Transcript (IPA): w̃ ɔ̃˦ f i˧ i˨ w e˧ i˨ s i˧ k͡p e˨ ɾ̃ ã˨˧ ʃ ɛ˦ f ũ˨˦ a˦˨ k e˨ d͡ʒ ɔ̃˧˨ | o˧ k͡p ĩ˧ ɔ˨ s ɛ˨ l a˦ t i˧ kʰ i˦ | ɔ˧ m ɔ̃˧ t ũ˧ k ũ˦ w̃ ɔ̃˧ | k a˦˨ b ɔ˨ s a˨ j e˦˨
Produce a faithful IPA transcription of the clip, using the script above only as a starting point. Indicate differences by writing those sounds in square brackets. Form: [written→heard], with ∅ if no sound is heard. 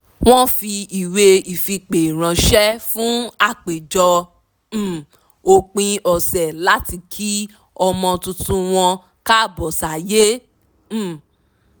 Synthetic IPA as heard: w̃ ɔ̃˦ f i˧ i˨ w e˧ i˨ [s→f] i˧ k͡p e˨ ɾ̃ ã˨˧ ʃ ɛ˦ f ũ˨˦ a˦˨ [k→k͡p] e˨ d͡ʒ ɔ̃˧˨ | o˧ k͡p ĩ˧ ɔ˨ s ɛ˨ l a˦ t i˧ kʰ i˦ | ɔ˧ m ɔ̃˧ t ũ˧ [k→t] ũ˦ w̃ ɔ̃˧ | k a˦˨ b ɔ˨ s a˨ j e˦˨